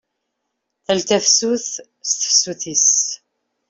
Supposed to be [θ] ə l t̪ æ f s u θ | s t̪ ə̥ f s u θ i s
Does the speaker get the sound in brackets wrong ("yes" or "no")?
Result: no